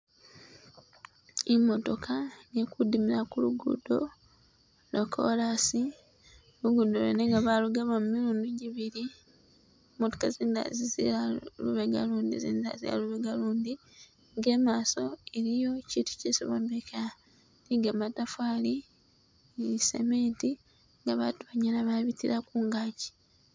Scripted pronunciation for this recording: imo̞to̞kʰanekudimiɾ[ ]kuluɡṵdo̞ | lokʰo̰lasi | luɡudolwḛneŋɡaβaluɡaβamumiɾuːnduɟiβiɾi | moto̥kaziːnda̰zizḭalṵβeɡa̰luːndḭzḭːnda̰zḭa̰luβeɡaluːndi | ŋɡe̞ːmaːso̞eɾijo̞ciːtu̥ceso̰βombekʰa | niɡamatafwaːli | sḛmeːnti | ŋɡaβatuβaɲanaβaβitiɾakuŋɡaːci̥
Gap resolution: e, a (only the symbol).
a